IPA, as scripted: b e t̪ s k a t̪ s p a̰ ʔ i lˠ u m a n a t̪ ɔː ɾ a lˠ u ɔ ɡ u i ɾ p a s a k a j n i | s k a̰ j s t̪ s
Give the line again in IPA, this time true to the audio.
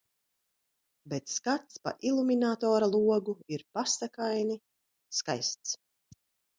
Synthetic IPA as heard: b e t̪ s k a t̪ s p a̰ ʔ i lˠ u m i n a t̪ ɔː ɾ a lˠ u ɔ ɡ u i ɾ p a s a k a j n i | s k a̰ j s t̪ s